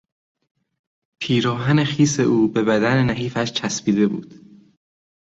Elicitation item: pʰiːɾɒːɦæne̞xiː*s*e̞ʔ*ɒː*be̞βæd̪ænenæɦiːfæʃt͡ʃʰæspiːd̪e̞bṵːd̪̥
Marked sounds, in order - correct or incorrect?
correct, incorrect: uː

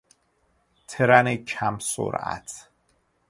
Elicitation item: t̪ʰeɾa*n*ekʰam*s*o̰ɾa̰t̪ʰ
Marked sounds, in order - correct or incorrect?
correct, correct

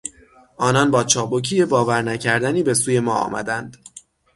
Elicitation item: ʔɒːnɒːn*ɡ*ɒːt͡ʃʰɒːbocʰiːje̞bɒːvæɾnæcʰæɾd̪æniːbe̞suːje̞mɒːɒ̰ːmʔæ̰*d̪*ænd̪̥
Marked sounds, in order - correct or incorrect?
incorrect: b, correct

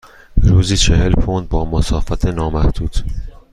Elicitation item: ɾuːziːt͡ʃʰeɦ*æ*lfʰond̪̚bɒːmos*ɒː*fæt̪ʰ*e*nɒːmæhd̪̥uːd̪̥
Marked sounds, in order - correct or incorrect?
incorrect: e, correct, correct

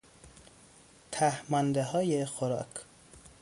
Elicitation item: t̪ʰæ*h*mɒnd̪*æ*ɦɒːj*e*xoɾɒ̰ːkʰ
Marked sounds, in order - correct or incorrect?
correct, incorrect: e, correct

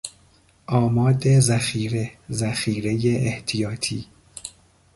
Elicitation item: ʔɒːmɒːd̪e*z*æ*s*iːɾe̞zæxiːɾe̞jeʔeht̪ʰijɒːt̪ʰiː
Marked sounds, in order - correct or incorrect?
correct, incorrect: x

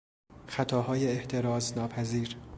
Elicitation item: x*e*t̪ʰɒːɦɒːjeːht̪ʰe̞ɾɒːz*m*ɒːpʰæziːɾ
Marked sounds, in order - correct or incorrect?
incorrect: æ, incorrect: n

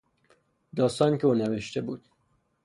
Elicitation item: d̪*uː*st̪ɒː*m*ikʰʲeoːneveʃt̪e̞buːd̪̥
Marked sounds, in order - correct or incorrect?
incorrect: ɒː, incorrect: n

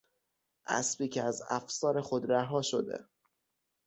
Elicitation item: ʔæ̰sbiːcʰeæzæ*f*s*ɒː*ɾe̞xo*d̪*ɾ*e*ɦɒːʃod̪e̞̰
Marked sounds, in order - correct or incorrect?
correct, correct, correct, incorrect: æ

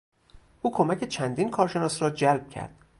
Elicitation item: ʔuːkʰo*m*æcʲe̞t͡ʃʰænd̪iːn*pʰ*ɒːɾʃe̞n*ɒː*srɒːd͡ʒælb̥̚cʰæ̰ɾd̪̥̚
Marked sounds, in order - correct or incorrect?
correct, incorrect: kʰ, correct

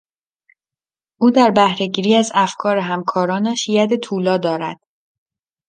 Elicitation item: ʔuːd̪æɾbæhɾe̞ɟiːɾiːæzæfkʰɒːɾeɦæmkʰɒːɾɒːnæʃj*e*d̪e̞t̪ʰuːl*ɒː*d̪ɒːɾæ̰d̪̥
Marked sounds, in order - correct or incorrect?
incorrect: æ, correct

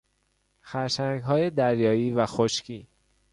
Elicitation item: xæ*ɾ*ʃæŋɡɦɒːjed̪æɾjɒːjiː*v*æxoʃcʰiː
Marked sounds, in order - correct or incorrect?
correct, correct

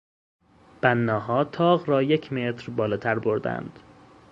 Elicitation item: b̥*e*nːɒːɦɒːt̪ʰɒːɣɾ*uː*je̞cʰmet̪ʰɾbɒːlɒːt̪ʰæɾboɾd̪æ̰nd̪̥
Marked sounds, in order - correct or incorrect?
incorrect: æ, incorrect: ɒː

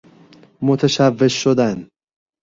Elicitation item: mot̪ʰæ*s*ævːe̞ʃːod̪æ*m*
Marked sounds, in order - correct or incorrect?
incorrect: ʃ, incorrect: n

